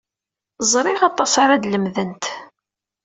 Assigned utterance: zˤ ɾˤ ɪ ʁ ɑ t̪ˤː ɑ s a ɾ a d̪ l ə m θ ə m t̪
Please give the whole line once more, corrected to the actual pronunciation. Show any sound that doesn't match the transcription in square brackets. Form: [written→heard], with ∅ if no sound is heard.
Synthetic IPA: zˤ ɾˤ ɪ ʁ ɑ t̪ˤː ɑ s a ɾ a d̪ l ə m [θ→ð] ə [m→n] t̪